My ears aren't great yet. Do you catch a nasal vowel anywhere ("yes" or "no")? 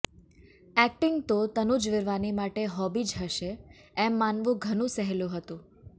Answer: yes